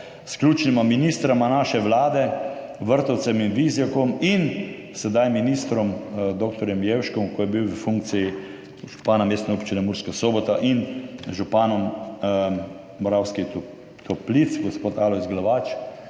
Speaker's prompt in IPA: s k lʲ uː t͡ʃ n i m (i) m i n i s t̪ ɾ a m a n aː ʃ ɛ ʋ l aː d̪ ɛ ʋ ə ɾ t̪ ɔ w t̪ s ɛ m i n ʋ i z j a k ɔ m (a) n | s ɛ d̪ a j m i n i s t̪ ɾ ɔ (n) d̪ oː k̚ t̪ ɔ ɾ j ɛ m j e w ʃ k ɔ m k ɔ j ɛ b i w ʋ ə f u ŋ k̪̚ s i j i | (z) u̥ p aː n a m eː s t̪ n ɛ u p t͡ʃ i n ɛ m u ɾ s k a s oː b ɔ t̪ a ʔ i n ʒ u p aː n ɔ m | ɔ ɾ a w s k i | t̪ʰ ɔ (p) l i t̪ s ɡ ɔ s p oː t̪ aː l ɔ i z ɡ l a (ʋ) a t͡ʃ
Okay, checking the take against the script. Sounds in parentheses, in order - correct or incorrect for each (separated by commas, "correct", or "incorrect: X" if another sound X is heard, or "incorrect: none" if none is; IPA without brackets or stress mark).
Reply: incorrect: a, incorrect: i, incorrect: m, incorrect: ʒ, correct, correct